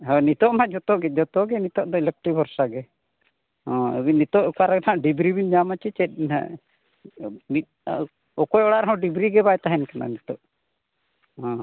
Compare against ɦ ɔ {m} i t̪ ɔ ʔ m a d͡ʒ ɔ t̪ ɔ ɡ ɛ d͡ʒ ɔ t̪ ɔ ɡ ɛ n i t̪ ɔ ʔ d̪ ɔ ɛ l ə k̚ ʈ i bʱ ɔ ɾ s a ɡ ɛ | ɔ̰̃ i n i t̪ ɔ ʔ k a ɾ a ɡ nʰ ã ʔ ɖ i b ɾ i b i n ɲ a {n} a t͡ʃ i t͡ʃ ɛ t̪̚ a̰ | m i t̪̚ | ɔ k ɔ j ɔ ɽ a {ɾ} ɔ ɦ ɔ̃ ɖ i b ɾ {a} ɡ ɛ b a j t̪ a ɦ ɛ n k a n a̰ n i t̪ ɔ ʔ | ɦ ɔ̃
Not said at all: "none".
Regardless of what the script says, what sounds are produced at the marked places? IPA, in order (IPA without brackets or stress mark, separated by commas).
n, m, ɾ, i